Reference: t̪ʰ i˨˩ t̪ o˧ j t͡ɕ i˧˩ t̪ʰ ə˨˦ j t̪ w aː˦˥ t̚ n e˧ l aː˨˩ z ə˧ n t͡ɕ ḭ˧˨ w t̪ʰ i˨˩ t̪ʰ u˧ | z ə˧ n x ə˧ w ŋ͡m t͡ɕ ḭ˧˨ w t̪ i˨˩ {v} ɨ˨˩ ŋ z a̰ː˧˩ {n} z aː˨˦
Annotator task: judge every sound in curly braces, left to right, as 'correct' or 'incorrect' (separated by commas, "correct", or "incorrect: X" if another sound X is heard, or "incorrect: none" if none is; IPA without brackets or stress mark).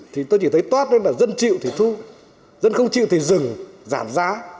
incorrect: z, incorrect: m